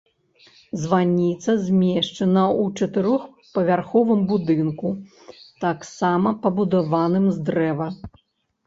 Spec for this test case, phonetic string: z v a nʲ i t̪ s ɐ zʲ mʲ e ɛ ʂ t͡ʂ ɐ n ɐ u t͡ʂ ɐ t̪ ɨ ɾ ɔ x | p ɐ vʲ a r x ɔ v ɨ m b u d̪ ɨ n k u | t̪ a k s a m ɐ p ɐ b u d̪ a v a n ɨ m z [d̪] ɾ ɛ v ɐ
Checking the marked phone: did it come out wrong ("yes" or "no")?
no